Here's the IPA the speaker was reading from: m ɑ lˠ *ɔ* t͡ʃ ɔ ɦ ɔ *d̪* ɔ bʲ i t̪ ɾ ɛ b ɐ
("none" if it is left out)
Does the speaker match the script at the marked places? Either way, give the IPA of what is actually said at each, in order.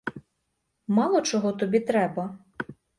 ɔ, t̪

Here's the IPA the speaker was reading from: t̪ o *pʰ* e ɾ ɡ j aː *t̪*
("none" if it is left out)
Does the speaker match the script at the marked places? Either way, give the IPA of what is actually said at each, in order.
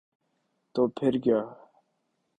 pʰ, none

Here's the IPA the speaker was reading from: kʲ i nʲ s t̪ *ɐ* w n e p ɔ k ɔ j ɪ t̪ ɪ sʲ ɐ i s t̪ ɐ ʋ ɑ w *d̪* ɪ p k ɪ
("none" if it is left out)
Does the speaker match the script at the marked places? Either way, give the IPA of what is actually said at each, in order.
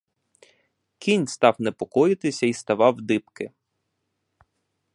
ɑ, d̪

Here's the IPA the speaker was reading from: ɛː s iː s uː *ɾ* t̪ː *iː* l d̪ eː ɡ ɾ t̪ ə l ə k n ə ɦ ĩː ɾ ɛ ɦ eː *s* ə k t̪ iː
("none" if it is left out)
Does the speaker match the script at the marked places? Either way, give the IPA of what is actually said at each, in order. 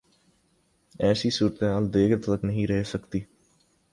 ɾ, aː, s

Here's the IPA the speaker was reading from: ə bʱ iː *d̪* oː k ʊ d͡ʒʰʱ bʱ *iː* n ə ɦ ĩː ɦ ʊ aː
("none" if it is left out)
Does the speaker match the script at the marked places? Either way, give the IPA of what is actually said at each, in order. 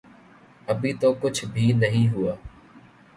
t̪, iː

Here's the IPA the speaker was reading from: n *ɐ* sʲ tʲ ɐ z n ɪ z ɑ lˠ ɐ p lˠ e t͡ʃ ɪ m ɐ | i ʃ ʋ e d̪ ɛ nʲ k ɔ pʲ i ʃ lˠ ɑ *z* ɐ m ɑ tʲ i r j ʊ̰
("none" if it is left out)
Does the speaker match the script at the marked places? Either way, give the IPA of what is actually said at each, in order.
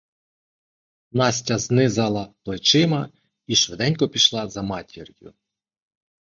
ɑ, z

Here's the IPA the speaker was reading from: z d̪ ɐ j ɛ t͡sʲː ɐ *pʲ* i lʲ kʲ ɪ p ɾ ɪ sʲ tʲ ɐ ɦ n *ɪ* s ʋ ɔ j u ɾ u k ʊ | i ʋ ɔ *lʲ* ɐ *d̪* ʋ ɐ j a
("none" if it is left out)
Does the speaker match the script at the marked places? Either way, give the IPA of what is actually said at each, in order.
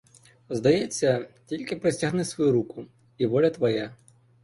tʲ, ɪ, lʲ, t̪

